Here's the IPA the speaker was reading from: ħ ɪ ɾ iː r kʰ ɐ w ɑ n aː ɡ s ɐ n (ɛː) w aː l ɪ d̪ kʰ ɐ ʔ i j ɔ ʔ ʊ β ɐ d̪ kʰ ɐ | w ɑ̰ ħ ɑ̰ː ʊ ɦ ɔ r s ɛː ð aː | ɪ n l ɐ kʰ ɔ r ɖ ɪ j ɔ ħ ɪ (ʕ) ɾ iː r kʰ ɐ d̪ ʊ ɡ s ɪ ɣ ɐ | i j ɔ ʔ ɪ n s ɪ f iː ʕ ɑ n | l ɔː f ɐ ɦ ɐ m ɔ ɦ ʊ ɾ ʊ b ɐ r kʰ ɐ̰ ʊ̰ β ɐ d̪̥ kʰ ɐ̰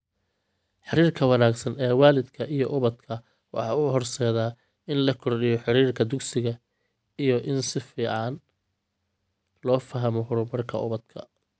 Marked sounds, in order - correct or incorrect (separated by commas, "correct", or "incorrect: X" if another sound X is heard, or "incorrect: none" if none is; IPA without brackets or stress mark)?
correct, incorrect: none